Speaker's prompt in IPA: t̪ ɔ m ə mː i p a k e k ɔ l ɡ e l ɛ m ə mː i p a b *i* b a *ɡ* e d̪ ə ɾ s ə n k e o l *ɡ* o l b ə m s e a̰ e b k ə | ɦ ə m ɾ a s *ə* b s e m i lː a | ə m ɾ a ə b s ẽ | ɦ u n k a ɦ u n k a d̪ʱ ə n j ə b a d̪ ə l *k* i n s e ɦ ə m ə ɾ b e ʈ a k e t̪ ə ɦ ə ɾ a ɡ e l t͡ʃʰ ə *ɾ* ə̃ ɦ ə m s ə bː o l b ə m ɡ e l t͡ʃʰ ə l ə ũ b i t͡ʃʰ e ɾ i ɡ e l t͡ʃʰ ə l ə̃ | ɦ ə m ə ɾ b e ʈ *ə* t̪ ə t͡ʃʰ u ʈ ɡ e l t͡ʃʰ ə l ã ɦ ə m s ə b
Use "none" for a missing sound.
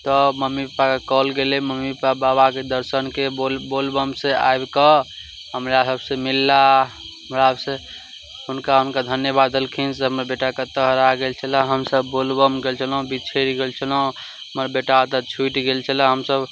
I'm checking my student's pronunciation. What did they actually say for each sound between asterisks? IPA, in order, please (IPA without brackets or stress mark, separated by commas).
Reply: a, k, b, ə, kʰ, l, a